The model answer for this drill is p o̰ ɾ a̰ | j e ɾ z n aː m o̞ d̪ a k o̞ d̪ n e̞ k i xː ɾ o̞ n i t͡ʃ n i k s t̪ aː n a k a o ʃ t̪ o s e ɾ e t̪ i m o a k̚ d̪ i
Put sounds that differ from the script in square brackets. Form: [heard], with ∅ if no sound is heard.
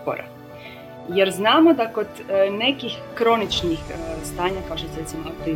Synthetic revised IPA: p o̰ ɾ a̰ | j e ɾ z n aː m o̞ d̪ a k o̞ d̪ n e̞ k i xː ɾ o̞ n i t͡ʃ n i [x] s t̪ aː [ɲ] a k a o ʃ t̪ o s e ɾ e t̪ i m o a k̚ [t̪] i